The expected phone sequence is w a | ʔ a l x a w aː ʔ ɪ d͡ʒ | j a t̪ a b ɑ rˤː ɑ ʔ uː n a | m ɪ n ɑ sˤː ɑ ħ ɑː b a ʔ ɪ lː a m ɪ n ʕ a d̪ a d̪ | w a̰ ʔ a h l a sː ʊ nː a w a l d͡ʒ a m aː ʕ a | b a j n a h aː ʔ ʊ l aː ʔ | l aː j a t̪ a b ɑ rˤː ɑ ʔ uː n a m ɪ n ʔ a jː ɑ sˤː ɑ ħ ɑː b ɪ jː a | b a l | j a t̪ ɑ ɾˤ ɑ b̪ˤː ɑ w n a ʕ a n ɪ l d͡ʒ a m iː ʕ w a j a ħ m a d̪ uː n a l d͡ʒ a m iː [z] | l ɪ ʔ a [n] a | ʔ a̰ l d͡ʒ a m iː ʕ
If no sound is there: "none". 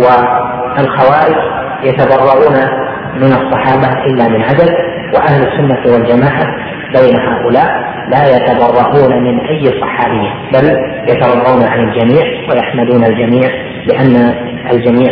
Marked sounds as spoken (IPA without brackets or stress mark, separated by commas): ʕ, nː